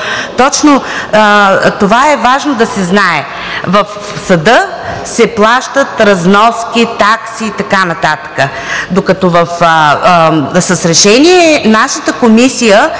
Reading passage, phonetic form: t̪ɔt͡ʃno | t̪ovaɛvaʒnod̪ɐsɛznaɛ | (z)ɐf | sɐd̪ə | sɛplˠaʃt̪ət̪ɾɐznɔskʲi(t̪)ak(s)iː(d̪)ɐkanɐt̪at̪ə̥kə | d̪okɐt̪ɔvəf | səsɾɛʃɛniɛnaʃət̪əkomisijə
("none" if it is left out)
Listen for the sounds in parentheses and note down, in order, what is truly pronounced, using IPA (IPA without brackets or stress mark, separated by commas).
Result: v, t̪, s, t̪